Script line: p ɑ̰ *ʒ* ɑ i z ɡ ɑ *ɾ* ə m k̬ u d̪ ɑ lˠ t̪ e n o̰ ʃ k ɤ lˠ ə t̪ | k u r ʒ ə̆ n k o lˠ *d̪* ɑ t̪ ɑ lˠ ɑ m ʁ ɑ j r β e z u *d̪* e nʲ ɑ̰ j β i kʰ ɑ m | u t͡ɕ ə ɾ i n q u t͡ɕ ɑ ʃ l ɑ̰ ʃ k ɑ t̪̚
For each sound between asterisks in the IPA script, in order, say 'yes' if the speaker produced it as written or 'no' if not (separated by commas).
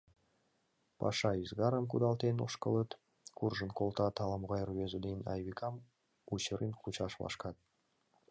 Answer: no, yes, no, yes